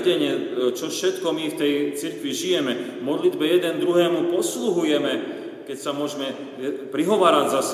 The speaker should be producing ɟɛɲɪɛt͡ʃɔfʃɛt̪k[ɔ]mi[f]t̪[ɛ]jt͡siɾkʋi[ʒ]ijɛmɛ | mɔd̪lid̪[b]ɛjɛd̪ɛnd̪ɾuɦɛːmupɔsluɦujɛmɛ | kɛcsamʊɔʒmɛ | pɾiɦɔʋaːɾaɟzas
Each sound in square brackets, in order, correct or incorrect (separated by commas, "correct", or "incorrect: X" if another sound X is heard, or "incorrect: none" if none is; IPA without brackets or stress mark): correct, correct, correct, correct, correct